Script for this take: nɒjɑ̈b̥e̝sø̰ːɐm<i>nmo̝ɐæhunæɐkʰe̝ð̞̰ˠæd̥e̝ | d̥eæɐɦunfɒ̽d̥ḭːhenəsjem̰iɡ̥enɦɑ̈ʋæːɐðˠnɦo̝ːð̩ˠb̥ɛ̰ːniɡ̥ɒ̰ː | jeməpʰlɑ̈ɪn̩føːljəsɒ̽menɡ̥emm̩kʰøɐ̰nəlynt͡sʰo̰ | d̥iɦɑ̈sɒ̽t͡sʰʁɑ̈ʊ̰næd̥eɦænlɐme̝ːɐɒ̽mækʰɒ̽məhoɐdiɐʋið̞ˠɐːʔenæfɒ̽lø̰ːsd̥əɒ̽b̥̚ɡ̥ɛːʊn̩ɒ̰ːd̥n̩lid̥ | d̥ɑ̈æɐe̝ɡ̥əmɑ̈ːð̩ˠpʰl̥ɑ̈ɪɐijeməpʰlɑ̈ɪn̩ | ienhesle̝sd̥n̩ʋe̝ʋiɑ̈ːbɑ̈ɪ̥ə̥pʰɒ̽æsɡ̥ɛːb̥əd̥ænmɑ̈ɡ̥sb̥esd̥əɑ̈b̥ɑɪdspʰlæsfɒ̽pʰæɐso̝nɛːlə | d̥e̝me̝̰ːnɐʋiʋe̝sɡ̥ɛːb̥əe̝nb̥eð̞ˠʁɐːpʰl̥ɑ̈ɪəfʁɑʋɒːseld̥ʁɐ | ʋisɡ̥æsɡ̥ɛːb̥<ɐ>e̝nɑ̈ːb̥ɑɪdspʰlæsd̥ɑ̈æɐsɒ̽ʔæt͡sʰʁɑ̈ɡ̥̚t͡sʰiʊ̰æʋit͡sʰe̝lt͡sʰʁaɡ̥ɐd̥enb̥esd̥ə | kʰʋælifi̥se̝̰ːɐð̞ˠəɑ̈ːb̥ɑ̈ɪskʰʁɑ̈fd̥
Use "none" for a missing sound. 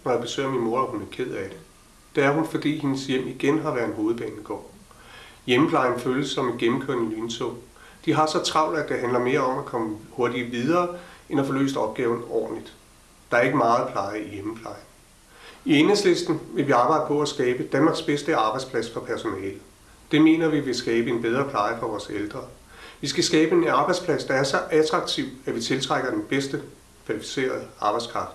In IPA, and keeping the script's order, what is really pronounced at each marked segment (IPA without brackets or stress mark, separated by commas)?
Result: i, ə